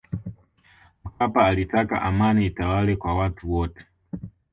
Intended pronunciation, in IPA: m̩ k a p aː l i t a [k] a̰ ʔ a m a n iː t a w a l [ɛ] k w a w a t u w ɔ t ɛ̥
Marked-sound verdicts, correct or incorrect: correct, correct

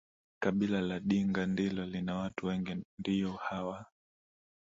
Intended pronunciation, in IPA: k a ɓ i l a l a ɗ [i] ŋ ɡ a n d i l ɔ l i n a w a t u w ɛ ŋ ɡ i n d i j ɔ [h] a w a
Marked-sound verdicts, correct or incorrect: correct, correct

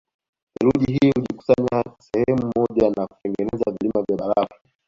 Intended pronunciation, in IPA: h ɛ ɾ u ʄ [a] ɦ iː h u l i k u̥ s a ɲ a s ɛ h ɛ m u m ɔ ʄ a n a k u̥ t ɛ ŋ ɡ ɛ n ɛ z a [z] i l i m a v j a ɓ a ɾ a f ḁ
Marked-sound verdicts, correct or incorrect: incorrect, incorrect

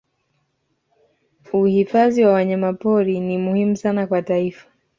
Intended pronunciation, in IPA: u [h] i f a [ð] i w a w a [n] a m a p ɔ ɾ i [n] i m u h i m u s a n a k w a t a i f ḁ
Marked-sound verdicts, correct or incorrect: correct, incorrect, incorrect, correct

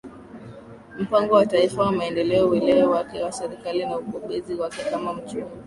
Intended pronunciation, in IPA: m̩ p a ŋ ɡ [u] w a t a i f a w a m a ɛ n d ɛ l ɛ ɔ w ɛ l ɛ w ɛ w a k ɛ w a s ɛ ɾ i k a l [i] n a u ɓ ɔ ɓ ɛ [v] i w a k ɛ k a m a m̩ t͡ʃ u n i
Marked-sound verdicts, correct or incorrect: incorrect, correct, incorrect

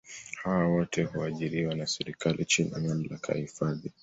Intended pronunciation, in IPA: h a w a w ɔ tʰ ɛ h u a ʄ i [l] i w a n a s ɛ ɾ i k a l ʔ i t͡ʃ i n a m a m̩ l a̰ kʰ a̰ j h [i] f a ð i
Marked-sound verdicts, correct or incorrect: incorrect, correct

